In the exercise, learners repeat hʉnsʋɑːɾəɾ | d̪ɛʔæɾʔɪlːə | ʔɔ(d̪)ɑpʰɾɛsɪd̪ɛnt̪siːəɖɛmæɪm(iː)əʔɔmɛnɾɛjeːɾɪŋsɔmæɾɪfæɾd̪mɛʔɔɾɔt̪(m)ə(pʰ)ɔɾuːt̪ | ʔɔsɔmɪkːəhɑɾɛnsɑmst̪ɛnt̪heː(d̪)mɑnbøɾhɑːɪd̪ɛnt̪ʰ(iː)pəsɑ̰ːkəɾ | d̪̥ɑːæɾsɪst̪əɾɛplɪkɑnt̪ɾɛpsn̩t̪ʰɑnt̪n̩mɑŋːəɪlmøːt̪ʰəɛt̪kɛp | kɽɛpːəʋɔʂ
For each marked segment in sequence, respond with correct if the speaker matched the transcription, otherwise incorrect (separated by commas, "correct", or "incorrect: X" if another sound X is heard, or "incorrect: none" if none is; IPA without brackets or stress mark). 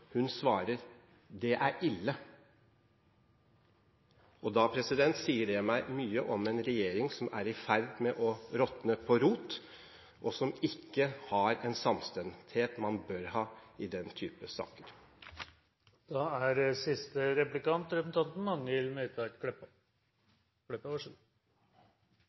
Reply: correct, incorrect: yː, incorrect: n, correct, incorrect: t̪, incorrect: yː